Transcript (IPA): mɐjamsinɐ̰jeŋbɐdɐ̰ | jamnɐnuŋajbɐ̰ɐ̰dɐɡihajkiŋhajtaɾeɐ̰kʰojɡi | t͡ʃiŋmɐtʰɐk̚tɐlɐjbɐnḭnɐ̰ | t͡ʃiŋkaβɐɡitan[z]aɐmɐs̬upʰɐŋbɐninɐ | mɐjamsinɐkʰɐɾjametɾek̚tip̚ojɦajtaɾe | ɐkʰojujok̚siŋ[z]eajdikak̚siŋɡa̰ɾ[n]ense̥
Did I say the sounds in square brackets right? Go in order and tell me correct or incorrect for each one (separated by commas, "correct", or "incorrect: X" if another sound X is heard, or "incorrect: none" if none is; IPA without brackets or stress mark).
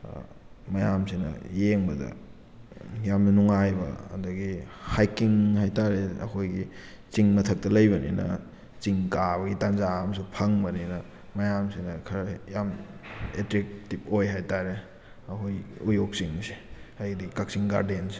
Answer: correct, incorrect: s, incorrect: d